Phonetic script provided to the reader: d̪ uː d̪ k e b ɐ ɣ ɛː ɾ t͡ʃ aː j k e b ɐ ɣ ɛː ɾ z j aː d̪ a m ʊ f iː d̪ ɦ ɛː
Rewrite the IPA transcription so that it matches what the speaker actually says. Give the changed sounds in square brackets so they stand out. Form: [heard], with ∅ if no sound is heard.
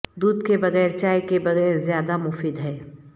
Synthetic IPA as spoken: d̪ uː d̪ k e b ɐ ɣ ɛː ɾ t͡ʃ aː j k e b ɐ ɣ ɛː ɾ z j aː d̪ a m ʊ f iː d̪ ɦ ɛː